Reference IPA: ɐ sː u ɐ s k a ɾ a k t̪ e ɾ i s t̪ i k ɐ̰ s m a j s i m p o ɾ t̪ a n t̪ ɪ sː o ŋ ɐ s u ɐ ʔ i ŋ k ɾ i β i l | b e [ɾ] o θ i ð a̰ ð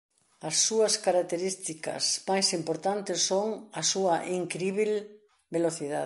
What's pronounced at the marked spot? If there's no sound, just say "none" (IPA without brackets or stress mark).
l